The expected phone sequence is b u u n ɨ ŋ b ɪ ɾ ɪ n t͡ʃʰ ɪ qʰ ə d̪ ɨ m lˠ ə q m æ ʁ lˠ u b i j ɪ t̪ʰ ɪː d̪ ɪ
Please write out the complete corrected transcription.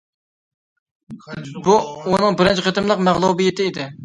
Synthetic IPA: b u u n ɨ ŋ b ɪ ɾ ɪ n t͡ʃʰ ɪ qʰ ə t̪ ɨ m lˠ ə q m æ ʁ lˠ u b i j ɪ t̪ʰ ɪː d̪ ɪ